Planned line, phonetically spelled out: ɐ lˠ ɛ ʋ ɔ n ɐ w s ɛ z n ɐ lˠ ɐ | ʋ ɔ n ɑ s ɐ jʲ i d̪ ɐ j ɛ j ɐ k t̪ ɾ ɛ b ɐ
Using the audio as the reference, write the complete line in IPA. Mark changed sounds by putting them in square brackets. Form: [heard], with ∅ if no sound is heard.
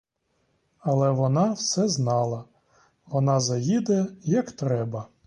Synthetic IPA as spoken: ɐ lˠ ɛ ʋ ɔ n [ɑ] w s ɛ z n [ɑ] lˠ ɐ | ʋ ɔ n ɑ [z] ɐ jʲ i d̪ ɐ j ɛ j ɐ k t̪ ɾ ɛ b ɐ

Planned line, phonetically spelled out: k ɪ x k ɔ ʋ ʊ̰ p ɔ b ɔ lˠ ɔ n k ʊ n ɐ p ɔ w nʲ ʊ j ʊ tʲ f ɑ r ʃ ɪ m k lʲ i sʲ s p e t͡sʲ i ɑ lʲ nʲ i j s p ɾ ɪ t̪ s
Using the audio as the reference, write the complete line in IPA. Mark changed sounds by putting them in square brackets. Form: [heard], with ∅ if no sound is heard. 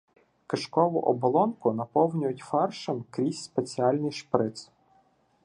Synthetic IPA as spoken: k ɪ [ʃ] k ɔ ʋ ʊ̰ [ʔ] ɔ b ɔ lˠ ɔ n k ʊ n ɐ p ɔ w nʲ ʊ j ʊ tʲ f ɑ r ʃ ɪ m k [ɾʲ] i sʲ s p e t͡sʲ i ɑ lʲ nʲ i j [ʃ] p ɾ ɪ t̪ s

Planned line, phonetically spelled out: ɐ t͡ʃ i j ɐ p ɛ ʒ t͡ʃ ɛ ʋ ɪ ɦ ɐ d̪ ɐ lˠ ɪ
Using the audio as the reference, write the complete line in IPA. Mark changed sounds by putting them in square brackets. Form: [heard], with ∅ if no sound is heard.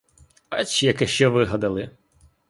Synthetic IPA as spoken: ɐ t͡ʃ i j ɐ [k] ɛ [ʃ] t͡ʃ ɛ ʋ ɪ ɦ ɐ d̪ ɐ lˠ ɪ

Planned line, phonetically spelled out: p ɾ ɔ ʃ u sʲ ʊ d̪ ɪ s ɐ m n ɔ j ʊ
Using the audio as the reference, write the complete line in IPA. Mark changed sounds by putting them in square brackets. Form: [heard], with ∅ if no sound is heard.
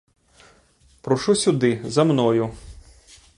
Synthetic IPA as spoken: p ɾ ɔ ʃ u sʲ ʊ d̪ ɪ [z] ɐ m n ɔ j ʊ

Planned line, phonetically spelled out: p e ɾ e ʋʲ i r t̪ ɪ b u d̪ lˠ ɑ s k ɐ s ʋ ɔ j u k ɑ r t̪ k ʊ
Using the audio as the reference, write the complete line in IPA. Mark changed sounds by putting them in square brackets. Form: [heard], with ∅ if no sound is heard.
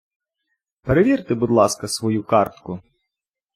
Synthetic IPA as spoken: p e ɾ e ʋʲ i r t̪ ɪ b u d̪ lˠ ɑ s k ɐ s ʋ ɔ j u k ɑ r t̪ k ʊ

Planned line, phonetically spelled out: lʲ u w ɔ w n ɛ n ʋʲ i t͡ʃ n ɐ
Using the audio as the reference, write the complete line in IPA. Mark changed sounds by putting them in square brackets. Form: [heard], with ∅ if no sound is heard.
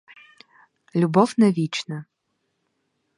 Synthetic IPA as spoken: lʲ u [b] ɔ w n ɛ [∅] ʋʲ i t͡ʃ n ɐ

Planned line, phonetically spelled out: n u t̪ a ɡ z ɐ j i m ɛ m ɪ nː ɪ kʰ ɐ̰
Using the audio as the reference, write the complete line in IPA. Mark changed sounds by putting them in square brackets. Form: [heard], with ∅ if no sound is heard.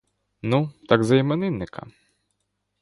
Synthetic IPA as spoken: n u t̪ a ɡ z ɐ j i m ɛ [n] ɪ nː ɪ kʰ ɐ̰

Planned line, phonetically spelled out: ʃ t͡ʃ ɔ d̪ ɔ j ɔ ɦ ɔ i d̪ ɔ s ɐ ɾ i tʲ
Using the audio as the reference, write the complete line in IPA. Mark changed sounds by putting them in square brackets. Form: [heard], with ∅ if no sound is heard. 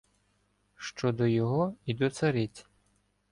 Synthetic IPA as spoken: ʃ t͡ʃ ɔ d̪ ɔ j ɔ ɦ ɔ i d̪ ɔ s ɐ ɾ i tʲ

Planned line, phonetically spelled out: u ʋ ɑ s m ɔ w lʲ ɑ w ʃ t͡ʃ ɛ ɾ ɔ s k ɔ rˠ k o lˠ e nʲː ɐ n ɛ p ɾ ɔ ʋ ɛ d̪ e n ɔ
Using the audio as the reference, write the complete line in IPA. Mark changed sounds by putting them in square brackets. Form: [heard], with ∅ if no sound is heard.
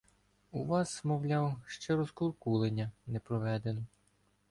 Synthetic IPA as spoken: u ʋ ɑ s m ɔ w lʲ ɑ w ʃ t͡ʃ ɛ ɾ ɔ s k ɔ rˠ k [u] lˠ e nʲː ɐ n ɛ p ɾ ɔ ʋ ɛ d̪ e n ɔ

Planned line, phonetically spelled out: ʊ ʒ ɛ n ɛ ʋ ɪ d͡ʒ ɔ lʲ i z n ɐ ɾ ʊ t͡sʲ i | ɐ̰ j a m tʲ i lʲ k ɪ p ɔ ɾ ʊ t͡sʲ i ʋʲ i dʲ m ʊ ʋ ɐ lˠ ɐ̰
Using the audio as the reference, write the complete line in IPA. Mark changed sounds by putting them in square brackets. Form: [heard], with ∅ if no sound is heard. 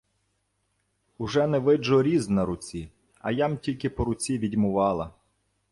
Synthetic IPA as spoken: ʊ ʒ ɛ n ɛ ʋ ɪ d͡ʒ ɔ [ɾʲ] i z n ɐ ɾ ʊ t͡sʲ i | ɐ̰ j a m tʲ i lʲ k ɪ p ɔ ɾ ʊ t͡sʲ i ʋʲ i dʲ m ʊ ʋ [ɑ] lˠ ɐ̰

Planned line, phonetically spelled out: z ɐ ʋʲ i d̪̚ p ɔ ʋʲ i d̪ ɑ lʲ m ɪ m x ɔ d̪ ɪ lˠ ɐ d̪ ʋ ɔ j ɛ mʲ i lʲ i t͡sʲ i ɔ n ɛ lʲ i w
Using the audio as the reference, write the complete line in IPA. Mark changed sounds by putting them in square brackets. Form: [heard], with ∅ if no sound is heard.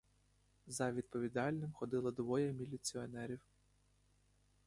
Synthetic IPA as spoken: z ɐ ʋʲ i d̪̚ p ɔ ʋʲ i d̪ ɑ lʲ [n] ɪ m x ɔ d̪ ɪ lˠ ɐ d̪ ʋ ɔ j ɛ mʲ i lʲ i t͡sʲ i ɔ n ɛ [ɾʲ] i w

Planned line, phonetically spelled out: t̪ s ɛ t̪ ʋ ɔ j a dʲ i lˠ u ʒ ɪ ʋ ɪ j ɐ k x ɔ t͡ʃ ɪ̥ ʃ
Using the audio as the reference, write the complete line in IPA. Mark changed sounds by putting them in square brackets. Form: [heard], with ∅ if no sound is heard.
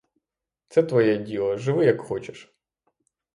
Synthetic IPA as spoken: t̪ s ɛ t̪ ʋ ɔ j [ɛ] dʲ i lˠ [ɔ] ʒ ɪ ʋ ɪ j ɐ k x ɔ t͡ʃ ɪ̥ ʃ

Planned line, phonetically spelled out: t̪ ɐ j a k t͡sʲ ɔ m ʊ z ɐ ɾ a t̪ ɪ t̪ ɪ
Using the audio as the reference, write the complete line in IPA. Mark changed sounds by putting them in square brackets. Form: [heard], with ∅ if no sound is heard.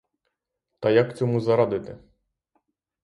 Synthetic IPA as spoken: t̪ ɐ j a k t͡sʲ ɔ m [u] z ɐ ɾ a [d̪] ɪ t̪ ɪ

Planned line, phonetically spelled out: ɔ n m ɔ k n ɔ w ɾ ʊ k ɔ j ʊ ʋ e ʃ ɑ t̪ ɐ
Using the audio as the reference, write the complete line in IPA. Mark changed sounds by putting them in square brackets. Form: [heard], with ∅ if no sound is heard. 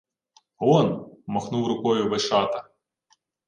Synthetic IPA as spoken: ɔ n m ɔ [x] n [u] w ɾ ʊ k ɔ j ʊ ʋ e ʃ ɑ t̪ ɐ

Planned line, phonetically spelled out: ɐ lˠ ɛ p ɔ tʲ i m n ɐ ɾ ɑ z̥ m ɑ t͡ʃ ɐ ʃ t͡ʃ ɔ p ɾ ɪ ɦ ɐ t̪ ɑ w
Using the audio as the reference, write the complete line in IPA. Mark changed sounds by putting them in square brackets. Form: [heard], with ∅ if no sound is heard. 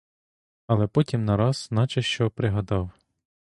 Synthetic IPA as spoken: ɐ lˠ ɛ p ɔ tʲ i m n ɐ ɾ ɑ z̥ [n] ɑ t͡ʃ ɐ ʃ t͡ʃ ɔ p ɾ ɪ ɦ ɐ [d̪] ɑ w

